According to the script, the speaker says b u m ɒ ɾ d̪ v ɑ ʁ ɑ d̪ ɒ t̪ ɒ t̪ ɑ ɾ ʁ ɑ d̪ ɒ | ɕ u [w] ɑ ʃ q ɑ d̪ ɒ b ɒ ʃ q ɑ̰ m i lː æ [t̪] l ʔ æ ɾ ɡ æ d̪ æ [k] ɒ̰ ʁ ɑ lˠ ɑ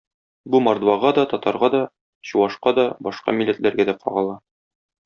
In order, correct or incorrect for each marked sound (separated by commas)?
correct, correct, incorrect